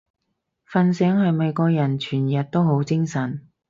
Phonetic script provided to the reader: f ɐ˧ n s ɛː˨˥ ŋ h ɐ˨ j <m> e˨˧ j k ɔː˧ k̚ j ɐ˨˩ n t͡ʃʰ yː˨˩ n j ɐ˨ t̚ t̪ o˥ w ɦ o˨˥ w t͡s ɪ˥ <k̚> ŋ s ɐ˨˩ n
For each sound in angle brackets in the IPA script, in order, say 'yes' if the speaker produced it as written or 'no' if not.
yes, no

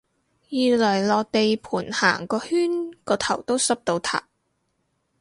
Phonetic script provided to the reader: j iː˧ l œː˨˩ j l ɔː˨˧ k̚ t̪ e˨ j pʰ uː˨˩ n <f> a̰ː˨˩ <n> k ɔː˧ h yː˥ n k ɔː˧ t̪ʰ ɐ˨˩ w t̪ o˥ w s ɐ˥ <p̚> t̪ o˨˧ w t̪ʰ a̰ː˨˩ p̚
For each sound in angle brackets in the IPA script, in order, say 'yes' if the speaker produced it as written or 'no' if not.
no, no, yes

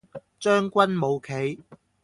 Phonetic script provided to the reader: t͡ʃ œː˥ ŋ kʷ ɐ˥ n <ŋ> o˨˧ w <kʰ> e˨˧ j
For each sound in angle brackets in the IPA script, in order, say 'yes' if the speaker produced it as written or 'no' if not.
no, yes

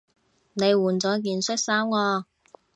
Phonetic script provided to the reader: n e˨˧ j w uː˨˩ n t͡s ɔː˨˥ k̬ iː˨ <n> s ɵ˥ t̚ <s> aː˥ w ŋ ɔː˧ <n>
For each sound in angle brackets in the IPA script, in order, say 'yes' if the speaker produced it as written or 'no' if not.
yes, yes, no

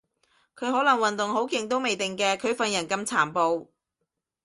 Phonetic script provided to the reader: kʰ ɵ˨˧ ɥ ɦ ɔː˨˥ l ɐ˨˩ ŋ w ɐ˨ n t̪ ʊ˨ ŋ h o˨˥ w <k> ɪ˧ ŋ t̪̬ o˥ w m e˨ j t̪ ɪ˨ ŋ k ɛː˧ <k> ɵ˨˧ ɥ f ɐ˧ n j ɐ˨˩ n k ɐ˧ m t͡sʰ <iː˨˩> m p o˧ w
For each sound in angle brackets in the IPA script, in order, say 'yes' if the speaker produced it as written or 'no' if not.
yes, no, no

